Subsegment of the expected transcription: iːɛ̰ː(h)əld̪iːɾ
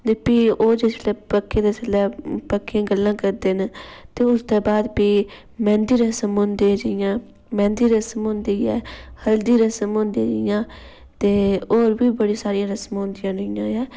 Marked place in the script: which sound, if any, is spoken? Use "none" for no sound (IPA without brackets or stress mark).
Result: h